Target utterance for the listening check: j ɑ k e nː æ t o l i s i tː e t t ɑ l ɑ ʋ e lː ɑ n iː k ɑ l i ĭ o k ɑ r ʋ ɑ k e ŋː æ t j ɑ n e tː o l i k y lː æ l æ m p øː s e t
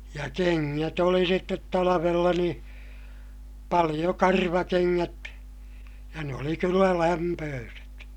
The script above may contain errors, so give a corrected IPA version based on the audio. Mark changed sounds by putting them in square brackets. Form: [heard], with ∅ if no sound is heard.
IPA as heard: j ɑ k e [ŋː] æ t o l i s i tː e t t ɑ l ɑ ʋ e lː ɑ n iː [p] ɑ l i [j̆] o k ɑ r ʋ ɑ k e ŋː æ t j ɑ n e [∅] o l i k y lː æ l æ m p øː s e t